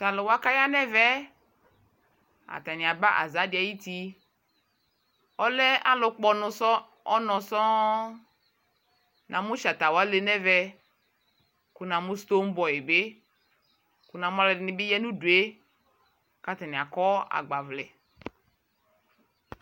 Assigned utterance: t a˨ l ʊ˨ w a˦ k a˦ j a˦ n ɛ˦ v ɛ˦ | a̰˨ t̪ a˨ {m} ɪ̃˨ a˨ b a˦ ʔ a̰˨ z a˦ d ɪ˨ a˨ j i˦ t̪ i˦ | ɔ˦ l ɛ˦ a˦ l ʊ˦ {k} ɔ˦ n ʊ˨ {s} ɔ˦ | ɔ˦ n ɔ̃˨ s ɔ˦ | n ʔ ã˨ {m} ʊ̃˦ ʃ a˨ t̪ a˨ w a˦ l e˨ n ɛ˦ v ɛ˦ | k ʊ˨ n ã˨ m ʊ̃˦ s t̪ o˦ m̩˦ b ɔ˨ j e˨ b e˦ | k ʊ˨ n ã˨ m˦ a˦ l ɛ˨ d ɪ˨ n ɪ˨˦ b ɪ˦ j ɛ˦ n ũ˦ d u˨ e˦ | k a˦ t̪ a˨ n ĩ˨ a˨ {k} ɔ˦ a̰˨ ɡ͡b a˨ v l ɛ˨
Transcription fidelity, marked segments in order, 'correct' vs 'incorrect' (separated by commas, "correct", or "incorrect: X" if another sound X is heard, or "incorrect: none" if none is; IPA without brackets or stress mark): incorrect: n, incorrect: k͡p, correct, correct, correct